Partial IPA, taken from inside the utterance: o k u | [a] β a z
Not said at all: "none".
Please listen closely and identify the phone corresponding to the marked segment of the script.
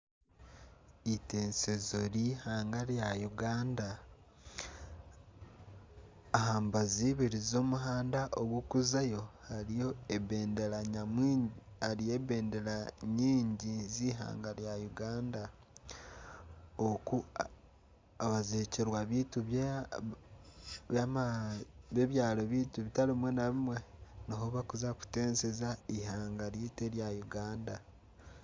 a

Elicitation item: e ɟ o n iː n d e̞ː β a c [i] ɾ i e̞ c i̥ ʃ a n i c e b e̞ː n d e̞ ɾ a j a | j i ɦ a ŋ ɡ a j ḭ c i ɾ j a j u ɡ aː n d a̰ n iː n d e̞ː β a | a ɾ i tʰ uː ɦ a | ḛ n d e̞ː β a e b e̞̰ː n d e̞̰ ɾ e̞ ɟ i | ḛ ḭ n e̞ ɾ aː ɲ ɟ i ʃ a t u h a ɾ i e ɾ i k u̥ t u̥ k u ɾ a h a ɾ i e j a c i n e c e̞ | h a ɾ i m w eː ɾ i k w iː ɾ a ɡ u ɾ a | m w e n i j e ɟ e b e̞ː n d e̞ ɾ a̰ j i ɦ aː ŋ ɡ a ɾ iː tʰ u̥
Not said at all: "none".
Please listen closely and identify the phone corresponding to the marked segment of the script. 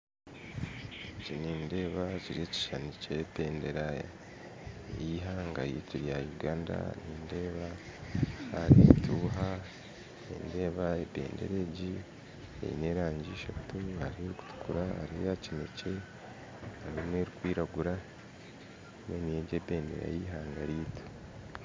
i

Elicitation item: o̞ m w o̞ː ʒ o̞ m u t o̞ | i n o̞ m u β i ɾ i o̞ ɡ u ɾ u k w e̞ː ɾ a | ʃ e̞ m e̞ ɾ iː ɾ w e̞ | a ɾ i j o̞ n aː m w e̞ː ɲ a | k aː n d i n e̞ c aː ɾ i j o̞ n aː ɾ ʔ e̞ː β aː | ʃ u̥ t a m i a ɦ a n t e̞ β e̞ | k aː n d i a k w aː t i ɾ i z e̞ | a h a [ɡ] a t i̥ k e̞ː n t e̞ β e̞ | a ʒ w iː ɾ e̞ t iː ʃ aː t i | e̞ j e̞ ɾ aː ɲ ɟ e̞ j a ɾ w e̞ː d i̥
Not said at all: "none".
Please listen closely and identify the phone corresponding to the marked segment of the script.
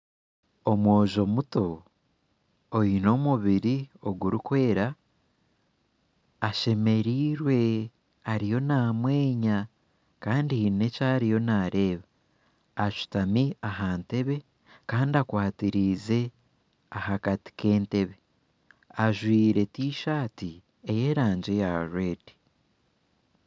k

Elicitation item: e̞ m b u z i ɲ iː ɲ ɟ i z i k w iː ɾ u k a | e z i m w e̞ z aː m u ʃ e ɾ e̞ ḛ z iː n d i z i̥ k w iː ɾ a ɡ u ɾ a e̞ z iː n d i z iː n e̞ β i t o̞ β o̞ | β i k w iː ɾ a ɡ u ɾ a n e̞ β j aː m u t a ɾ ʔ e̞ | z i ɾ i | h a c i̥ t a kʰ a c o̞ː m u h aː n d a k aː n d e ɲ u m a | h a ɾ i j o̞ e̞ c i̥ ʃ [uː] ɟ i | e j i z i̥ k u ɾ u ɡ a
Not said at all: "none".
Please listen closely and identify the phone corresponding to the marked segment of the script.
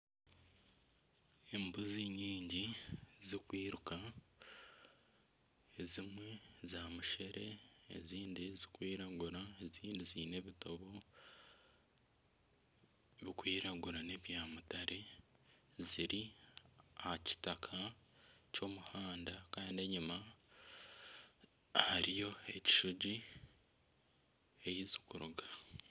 u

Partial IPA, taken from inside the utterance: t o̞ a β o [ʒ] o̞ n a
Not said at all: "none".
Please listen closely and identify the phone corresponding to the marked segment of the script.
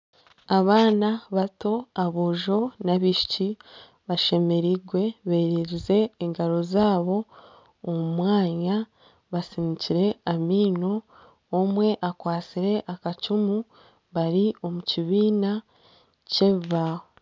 ʒ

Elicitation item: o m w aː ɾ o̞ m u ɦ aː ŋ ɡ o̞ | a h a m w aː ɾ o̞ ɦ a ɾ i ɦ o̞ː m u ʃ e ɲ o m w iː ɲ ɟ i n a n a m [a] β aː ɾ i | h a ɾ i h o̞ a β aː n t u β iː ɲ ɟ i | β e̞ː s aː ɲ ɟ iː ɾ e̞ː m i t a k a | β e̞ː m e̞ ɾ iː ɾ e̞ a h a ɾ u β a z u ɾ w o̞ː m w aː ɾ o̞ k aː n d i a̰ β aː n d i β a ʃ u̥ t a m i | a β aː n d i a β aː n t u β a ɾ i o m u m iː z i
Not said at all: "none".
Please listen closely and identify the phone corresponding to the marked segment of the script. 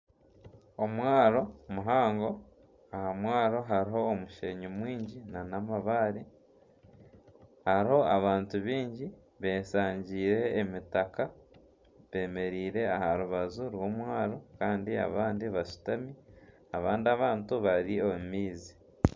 a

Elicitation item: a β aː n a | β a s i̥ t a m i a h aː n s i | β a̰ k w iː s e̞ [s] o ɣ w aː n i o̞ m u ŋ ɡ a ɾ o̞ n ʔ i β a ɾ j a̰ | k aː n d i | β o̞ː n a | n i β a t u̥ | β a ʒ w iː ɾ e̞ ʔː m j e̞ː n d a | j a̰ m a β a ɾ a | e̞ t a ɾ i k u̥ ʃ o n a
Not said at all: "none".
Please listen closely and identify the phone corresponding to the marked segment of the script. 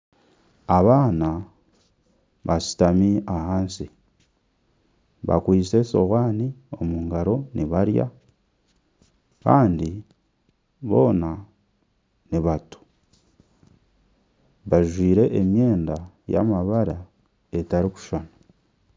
s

